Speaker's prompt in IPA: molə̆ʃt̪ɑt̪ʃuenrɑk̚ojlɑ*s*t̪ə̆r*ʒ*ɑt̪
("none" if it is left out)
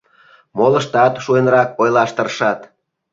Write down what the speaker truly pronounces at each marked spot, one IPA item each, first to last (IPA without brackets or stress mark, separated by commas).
ʃ, ʃ